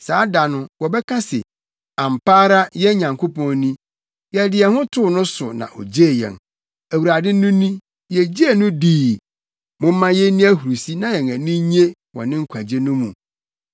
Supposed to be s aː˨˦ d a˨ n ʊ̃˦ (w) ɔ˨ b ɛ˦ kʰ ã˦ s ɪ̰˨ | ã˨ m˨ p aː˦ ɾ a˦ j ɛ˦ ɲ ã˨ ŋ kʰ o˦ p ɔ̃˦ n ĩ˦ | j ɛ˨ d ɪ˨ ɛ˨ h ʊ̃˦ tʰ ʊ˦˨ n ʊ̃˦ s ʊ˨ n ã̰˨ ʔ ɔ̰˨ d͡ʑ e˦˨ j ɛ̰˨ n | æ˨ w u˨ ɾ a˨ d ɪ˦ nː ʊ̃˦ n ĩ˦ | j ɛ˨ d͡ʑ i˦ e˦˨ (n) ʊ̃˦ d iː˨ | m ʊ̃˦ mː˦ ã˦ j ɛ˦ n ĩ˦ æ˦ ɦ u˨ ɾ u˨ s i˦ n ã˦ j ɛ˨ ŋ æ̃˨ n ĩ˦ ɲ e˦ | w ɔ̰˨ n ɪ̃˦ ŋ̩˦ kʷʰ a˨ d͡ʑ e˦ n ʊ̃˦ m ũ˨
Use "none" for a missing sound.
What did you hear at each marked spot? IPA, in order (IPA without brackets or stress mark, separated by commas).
w, n